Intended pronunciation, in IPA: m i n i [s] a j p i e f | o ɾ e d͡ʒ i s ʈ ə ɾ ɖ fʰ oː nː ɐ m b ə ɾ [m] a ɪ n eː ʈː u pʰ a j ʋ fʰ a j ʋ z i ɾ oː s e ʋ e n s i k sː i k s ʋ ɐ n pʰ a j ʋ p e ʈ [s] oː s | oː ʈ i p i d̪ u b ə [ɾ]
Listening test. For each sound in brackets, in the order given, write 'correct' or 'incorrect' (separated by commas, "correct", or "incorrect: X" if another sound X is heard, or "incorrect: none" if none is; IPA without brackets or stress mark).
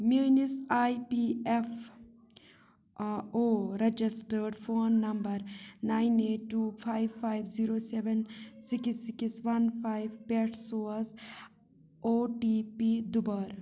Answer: correct, incorrect: n, correct, correct